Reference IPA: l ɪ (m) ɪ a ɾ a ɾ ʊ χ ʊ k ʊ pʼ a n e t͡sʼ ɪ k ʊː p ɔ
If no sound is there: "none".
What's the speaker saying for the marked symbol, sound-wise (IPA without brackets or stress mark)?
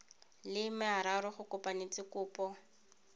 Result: m